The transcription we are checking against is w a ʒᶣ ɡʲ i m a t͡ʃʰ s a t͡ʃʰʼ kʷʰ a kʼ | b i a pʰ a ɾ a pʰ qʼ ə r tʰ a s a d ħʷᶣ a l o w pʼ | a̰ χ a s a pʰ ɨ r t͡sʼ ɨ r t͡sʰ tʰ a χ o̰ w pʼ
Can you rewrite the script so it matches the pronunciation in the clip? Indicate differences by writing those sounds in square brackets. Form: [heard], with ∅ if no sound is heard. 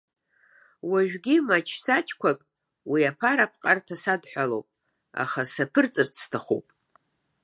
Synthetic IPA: w a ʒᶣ ɡʲ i m a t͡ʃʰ s a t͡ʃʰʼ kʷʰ a kʼ | [w] i a pʰ a ɾ a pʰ qʼ [a] r tʰ a s a d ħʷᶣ a l o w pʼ | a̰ χ a s a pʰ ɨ r t͡sʼ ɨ r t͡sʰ tʰ a χ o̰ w pʼ